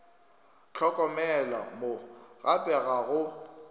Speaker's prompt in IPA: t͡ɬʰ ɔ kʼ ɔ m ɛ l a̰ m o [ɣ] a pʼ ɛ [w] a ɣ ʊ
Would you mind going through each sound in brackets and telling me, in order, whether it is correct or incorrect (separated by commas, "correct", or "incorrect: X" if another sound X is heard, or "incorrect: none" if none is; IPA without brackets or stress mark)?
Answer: correct, incorrect: ɣ